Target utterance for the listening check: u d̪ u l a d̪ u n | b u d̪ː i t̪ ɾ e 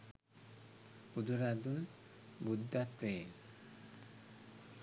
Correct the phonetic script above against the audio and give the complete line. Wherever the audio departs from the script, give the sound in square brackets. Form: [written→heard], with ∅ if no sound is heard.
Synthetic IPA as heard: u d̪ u [l→ɾ] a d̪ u n | b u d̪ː [i→a] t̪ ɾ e